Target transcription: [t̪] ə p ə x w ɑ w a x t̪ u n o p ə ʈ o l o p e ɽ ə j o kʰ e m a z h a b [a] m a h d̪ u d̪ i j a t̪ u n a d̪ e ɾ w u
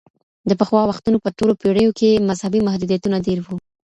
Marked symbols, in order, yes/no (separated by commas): no, no